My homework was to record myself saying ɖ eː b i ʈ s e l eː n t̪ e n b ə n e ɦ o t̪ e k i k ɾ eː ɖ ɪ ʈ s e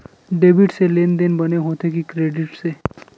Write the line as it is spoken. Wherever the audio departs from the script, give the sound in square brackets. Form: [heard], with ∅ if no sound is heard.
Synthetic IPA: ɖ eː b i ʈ s e l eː n [d̪] e n b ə n e ɦ o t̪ e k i k ɾ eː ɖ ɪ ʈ s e